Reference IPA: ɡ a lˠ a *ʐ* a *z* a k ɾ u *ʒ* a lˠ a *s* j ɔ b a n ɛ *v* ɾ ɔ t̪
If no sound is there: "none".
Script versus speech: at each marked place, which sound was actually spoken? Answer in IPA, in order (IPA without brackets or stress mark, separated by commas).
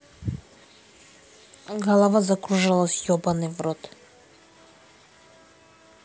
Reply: v, z, ʒ, s, v